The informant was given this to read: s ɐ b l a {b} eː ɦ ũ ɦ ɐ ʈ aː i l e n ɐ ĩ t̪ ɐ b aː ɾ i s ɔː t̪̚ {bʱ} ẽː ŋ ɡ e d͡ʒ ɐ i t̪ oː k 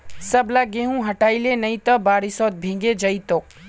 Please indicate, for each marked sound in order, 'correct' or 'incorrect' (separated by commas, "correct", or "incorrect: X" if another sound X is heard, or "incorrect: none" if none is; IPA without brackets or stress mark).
incorrect: ɡ, correct